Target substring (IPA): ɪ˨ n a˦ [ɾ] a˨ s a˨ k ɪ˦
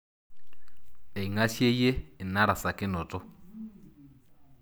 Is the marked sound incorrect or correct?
correct